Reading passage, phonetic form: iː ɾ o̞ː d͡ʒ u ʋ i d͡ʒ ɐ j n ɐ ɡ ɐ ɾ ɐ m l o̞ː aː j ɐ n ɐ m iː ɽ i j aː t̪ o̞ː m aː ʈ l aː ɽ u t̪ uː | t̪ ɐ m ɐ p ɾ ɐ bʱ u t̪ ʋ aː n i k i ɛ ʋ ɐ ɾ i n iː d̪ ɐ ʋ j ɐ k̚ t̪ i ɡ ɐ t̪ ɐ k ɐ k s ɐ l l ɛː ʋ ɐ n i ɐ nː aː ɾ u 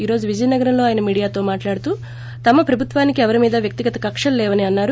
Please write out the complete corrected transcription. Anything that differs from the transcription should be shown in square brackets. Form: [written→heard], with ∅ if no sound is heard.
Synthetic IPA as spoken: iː ɾ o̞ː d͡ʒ u ʋ i d͡ʒ ɐ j n ɐ ɡ ɐ ɾ ɐ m l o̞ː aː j ɐ n ɐ m iː ɽ i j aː t̪ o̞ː m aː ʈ l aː ɽ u t̪ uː | t̪ ɐ m ɐ p ɾ ɐ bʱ u t̪ ʋ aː n i k i ɛ ʋ ɐ ɾ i [n→m] iː d̪ ɐ ʋ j ɐ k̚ t̪ i ɡ ɐ t̪ ɐ k ɐ k [s→ʂ] ɐ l l ɛː ʋ ɐ n i ɐ nː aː ɾ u